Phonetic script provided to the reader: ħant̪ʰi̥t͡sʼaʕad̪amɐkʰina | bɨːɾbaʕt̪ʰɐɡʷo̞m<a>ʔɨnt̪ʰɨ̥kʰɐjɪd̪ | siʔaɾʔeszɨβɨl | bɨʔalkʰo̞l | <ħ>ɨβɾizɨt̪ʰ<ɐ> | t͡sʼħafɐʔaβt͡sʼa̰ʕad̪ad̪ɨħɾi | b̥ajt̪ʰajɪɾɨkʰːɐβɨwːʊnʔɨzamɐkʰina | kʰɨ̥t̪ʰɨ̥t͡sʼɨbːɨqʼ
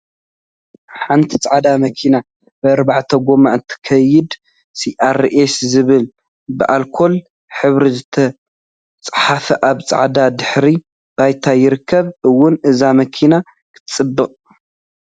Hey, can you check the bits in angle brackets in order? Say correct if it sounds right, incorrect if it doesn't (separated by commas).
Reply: correct, correct, correct